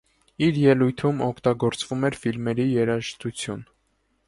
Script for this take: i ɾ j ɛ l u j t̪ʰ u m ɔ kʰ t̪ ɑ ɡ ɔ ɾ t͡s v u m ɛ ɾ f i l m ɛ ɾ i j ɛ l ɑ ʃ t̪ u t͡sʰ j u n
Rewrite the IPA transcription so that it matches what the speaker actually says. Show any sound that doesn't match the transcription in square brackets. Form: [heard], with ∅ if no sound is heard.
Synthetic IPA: i ɾ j ɛ l u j t̪ʰ u m ɔ kʰ t̪ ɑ ɡ ɔ ɾ t͡s v u m ɛ ɾ f i l m ɛ ɾ i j ɛ [ɾ] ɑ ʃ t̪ u t͡sʰ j u n